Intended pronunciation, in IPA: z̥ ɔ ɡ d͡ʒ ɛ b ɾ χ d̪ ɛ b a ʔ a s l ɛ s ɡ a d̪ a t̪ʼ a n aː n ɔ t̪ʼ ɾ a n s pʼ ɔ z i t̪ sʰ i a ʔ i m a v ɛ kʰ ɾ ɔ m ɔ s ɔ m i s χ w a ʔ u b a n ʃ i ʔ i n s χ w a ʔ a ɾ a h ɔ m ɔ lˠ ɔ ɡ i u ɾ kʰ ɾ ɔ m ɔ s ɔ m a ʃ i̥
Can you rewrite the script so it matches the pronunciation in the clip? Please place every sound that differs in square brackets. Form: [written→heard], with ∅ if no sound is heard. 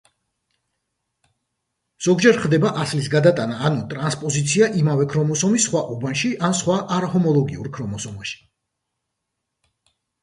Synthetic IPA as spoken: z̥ ɔ ɡ d͡ʒ ɛ [b→∅] ɾ χ d̪ ɛ b a ʔ a s l [ɛ→i] s ɡ a d̪ a t̪ʼ a n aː n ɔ t̪ʼ ɾ a n s pʼ ɔ z i t̪ sʰ i a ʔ i m a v ɛ kʰ ɾ ɔ m ɔ s ɔ m i s χ w a ʔ u b a n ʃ i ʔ [i→a] n s χ w a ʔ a ɾ a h ɔ m ɔ lˠ ɔ ɡ i u ɾ kʰ ɾ ɔ m ɔ s ɔ m a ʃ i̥

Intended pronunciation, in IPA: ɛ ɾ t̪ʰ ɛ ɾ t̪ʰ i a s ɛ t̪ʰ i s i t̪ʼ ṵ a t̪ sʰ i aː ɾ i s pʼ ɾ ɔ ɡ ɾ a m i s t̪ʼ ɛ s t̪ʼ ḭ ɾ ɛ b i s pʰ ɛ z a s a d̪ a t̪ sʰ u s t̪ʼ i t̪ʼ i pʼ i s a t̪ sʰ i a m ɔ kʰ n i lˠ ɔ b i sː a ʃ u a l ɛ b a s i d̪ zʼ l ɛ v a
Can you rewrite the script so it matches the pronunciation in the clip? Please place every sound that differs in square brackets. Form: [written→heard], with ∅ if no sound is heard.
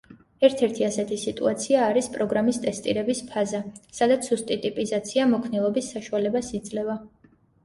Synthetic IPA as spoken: ɛ ɾ t̪ʰ ɛ ɾ t̪ʰ i a s ɛ t̪ʰ i s i t̪ʼ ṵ a t̪ sʰ i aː ɾ i s pʼ ɾ ɔ ɡ ɾ a m i s t̪ʼ ɛ s t̪ʼ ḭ ɾ ɛ b i s pʰ [ɛ→a] z a s a d̪ a t̪ sʰ u s t̪ʼ i t̪ʼ i pʼ i [s→z] a t̪ sʰ i a m ɔ kʰ n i lˠ ɔ b i sː a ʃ u a l ɛ b a s i d̪ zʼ l ɛ v a

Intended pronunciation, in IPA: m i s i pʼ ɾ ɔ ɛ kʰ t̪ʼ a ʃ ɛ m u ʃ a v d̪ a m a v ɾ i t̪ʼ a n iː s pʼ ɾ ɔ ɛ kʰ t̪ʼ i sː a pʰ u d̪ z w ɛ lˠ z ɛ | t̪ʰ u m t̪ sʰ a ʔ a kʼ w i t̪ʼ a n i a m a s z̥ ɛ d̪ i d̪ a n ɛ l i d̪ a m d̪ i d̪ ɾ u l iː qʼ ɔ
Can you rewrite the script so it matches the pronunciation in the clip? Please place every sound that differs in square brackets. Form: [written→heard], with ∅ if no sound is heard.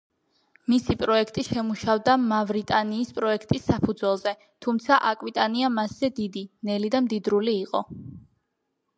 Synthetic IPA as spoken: m i s i pʼ ɾ ɔ ɛ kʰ t̪ʼ [a→i] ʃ ɛ m u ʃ a v d̪ a m a v ɾ i t̪ʼ a n iː s pʼ ɾ ɔ ɛ kʰ t̪ʼ i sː a pʰ u d̪ z w ɛ lˠ z ɛ | t̪ʰ u m t̪ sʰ a ʔ a kʼ w i t̪ʼ a n i a m a s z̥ ɛ d̪ i d̪ [a→i] n ɛ l i d̪ a m d̪ i d̪ ɾ u l iː qʼ ɔ

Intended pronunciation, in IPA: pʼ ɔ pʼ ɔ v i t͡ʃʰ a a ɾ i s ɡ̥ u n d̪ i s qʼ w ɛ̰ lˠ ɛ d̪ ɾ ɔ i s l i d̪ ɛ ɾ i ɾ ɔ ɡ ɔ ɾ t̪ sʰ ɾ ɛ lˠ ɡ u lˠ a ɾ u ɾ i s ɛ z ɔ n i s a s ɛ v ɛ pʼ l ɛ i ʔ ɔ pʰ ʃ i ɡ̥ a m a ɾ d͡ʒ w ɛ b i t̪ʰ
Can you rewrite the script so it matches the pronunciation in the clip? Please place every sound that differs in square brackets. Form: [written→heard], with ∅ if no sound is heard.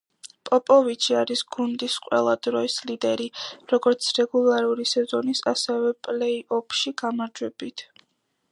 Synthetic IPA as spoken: pʼ ɔ pʼ ɔ v i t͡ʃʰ [a→i] a ɾ i s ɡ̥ u n d̪ i s qʼ w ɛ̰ lˠ [ɛ→a] d̪ ɾ ɔ i s l i d̪ ɛ ɾ i ɾ ɔ ɡ ɔ ɾ t̪ sʰ ɾ ɛ [lˠ→∅] ɡ u lˠ a ɾ u ɾ i s ɛ z ɔ n i s a s ɛ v ɛ pʼ l ɛ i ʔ ɔ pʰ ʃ i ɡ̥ a m a ɾ d͡ʒ w ɛ b i t̪ʰ

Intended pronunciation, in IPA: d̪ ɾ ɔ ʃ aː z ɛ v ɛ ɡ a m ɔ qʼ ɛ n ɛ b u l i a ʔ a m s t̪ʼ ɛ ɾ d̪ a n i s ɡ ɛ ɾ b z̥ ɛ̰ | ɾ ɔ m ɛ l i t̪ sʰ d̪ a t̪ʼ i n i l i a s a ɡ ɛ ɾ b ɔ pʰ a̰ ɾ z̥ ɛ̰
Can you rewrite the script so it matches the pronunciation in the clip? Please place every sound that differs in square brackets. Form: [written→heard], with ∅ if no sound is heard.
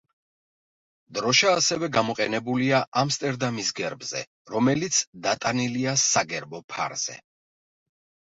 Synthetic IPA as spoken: d̪ ɾ ɔ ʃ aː [z→s] ɛ v ɛ ɡ a m ɔ qʼ ɛ n ɛ b u l i a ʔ a m s t̪ʼ ɛ ɾ d̪ a [n→m] i s ɡ ɛ ɾ b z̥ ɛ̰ | ɾ ɔ m ɛ l i t̪ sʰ d̪ a t̪ʼ [i→a] n i l i a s a ɡ ɛ ɾ b ɔ pʰ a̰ ɾ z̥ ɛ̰

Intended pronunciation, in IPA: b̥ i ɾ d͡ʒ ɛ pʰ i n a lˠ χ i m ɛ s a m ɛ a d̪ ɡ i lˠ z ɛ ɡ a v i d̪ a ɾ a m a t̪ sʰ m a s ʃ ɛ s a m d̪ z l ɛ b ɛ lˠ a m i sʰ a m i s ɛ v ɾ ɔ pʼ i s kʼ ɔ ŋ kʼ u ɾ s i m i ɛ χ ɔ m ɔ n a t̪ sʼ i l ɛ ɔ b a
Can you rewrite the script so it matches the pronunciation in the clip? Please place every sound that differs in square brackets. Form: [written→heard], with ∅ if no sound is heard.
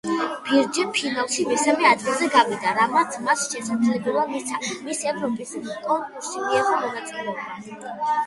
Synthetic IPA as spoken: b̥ i ɾ d͡ʒ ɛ pʰ i n a lˠ [χ→ʃ] i m ɛ s a m ɛ a d̪ ɡ i lˠ z ɛ ɡ a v i d̪ a ɾ a m a t̪ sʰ m a s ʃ ɛ s a m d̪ z l ɛ b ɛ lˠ a m i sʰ a m i s ɛ v ɾ ɔ pʼ i s kʼ ɔ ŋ kʼ u ɾ s i m i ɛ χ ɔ m ɔ n a t̪ sʼ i l ɛ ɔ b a

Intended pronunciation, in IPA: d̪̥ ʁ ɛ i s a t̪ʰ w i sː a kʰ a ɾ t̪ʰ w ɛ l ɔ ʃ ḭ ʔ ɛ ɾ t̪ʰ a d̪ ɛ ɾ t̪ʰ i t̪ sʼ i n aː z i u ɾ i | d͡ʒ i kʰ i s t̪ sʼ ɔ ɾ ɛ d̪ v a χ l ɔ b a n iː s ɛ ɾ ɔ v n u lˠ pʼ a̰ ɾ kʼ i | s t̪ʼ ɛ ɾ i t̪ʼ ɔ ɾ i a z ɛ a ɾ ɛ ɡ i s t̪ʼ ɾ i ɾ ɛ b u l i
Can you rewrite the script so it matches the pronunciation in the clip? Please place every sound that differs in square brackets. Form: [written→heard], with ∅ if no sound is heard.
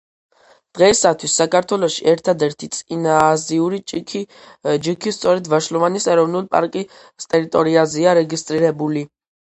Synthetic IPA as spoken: d̪̥ ʁ ɛ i s a t̪ʰ w i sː a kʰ a ɾ t̪ʰ w ɛ l ɔ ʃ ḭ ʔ ɛ ɾ t̪ʰ a d̪ ɛ ɾ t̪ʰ i t̪ sʼ i n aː z i u ɾ i | d͡ʒ i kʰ i s t̪ sʼ ɔ ɾ ɛ d̪ v a [χ→ʃ] l ɔ [b→v] a n [iː→i] s ɛ ɾ ɔ v n u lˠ pʼ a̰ ɾ kʼ i | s t̪ʼ ɛ ɾ i t̪ʼ ɔ ɾ i a z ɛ a ɾ ɛ ɡ i s t̪ʼ ɾ i ɾ ɛ b u l i

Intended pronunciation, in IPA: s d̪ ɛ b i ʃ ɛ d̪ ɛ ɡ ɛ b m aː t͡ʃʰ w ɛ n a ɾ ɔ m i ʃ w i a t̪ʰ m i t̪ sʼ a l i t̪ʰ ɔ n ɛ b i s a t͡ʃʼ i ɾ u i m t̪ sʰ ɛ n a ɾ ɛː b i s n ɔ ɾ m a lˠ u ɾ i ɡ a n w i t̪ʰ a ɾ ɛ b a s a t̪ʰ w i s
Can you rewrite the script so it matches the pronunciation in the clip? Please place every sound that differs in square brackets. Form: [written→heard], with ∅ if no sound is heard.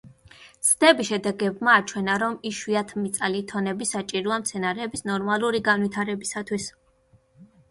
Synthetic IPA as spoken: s d̪ ɛ b i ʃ ɛ d̪ ɛ ɡ ɛ b m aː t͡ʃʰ w ɛ n a ɾ ɔ m i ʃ w i a t̪ʰ m i t̪ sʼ a l i t̪ʰ ɔ n ɛ b i s a t͡ʃʼ i ɾ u [i→a] m t̪ sʰ ɛ n a ɾ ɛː b i s n ɔ ɾ m a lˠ u ɾ i ɡ a n w i t̪ʰ a ɾ ɛ b [a→i] s a t̪ʰ w i s

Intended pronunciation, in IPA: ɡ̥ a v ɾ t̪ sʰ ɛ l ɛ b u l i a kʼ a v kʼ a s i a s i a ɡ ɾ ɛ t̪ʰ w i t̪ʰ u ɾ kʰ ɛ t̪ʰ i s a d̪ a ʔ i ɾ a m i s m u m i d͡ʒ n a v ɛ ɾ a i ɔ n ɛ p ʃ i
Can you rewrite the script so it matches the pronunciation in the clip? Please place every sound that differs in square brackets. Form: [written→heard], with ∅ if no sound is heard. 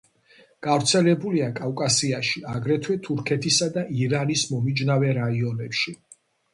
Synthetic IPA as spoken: ɡ̥ a v ɾ t̪ sʰ ɛ l ɛ b u l i a kʼ a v kʼ a s i a [s→ʃ] i a ɡ ɾ ɛ t̪ʰ w [i→ɛ] t̪ʰ u ɾ kʰ ɛ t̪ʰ i s a d̪ a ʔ i ɾ a [m→n] i s m [u→ɔ] m i d͡ʒ n a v ɛ ɾ a i ɔ n ɛ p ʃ i

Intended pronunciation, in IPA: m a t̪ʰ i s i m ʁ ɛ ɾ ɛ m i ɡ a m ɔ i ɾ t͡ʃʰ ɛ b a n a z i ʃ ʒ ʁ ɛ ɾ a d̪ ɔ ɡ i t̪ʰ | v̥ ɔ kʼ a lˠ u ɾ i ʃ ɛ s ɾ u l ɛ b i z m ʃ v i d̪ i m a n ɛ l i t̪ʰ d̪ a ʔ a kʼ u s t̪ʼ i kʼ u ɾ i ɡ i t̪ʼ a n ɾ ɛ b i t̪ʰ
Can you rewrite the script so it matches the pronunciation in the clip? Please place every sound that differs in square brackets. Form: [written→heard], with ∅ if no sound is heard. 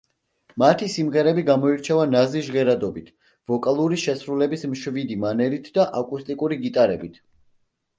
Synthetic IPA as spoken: m a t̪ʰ i s i m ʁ ɛ ɾ ɛ [m→b] i ɡ a m ɔ i ɾ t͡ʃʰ ɛ [b→v] a n a z i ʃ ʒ ʁ ɛ ɾ a d̪ ɔ [ɡ→b] i t̪ʰ | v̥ ɔ kʼ a lˠ u ɾ i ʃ ɛ s ɾ u l ɛ b i [z→s] m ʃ v i d̪ i m a n ɛ l i t̪ʰ d̪ a ʔ a kʼ u s t̪ʼ i kʼ u ɾ i ɡ i t̪ʼ a [n→∅] ɾ ɛ b i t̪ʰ

